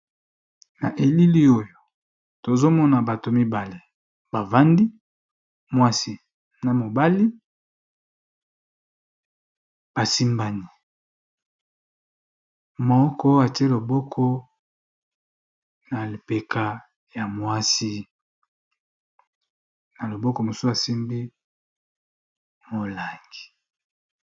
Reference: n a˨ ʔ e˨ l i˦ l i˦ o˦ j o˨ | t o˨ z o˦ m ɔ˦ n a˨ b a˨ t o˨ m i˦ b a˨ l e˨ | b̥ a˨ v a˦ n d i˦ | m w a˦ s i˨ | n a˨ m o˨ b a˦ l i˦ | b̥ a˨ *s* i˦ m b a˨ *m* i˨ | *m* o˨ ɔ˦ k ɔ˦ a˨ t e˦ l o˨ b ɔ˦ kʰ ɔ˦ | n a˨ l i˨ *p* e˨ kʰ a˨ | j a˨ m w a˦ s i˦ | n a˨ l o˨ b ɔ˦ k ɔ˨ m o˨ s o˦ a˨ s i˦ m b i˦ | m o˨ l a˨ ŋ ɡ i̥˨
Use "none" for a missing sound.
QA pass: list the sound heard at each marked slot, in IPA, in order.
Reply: s, n, m, p

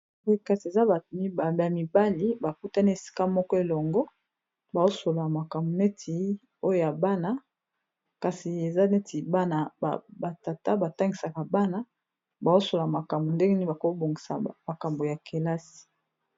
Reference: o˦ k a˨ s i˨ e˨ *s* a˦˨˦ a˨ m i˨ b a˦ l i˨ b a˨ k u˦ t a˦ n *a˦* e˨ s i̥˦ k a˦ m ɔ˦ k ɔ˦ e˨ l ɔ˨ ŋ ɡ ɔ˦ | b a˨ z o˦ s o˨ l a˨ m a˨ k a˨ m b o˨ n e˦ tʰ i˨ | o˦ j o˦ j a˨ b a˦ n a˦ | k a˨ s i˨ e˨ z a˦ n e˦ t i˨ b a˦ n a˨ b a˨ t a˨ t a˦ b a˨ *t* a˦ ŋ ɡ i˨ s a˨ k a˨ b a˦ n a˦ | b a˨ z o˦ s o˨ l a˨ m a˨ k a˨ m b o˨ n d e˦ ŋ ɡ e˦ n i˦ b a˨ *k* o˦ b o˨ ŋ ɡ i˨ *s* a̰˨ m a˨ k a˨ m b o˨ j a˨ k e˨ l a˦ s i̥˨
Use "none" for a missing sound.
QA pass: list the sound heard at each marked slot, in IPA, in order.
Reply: z, i˦, t, k, s

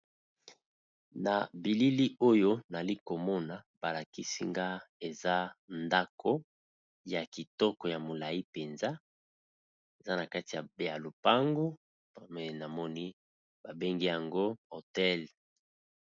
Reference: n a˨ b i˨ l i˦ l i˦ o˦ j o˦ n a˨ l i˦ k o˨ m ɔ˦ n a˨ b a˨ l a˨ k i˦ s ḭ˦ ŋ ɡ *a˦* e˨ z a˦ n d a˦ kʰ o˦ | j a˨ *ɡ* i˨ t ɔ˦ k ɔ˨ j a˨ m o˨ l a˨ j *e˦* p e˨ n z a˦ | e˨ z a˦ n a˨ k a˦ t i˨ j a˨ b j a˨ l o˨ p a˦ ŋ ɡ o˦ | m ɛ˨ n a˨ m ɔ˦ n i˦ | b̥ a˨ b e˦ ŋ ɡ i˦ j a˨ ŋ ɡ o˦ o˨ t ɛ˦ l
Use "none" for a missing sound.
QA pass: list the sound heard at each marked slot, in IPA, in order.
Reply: a˦, k, i˦

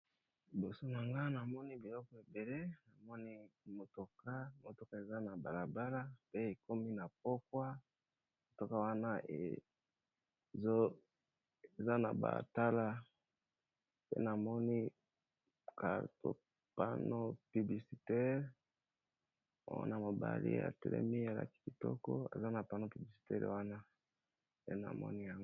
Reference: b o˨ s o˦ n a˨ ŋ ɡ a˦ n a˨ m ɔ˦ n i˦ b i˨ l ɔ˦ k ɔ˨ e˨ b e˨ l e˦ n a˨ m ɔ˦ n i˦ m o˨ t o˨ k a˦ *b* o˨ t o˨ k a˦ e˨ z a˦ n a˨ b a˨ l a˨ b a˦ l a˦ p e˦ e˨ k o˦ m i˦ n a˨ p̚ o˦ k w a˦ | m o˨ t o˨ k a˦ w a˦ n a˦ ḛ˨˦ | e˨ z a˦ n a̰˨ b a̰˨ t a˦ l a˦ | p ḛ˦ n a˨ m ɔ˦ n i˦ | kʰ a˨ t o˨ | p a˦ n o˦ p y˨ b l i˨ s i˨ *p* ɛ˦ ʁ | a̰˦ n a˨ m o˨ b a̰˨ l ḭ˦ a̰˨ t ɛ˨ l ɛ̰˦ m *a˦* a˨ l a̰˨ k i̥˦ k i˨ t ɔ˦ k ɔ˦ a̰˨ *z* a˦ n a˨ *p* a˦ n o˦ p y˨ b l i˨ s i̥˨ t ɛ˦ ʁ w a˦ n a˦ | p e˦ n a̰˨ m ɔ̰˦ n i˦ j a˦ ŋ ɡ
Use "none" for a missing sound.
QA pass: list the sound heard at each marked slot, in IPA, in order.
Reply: m, t, i˦, z, p

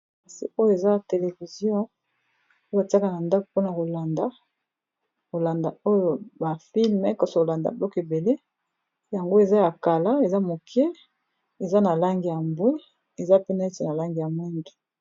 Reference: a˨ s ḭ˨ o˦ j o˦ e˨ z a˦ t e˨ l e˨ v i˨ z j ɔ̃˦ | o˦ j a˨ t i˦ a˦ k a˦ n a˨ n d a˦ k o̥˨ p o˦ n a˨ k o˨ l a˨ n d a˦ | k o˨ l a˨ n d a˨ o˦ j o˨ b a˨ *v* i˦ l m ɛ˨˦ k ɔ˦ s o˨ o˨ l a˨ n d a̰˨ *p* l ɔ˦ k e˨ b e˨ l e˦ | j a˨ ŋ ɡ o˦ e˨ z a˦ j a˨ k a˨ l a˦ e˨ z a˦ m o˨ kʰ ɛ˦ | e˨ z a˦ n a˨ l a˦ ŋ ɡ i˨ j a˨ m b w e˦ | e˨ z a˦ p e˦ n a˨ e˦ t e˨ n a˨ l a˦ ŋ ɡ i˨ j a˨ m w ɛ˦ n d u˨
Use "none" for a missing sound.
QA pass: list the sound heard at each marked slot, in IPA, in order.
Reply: f, b

